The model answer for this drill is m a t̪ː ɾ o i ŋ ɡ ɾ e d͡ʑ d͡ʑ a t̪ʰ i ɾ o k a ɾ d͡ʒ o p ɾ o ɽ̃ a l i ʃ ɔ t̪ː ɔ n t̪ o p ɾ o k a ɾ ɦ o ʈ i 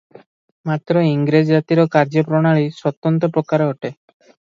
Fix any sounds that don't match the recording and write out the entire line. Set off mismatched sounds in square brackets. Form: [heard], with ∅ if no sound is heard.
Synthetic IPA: m a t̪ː ɾ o i ŋ ɡ ɾ e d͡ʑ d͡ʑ a [t̪] i ɾ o k a ɾ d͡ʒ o p ɾ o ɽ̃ a [ɭ] i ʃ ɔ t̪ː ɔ n t̪ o p ɾ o k a ɾ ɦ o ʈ [e]